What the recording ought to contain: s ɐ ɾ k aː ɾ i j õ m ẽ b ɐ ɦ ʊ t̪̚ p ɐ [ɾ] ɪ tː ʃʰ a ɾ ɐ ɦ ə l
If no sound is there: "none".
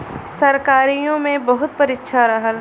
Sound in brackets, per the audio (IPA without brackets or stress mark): ɾ